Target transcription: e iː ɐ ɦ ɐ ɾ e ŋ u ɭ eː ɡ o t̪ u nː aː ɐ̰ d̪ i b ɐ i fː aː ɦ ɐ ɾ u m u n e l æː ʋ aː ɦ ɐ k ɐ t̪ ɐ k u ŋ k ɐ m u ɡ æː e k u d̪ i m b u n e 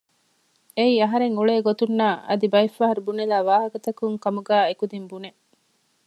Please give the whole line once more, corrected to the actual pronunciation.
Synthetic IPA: e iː ɐ ɦ ɐ ɾ e ŋ u ɭ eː ɡ o t̪ u nː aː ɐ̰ d̪ i b ɐ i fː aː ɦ ɐ ɾ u b u n e l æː ʋ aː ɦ ɐ k ɐ t̪ ɐ k u ŋ k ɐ m u ɡ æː e k u d̪ i m b u n e